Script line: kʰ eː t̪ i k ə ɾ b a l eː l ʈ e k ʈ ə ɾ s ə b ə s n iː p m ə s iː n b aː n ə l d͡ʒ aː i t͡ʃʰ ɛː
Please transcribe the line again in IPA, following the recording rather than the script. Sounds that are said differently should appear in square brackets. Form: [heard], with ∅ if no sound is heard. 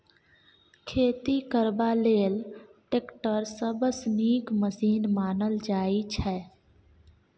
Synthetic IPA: kʰ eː t̪ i k ə ɾ b a l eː l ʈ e k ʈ ə ɾ s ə b ə s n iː [k] m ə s iː n [m] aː n ə l d͡ʒ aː i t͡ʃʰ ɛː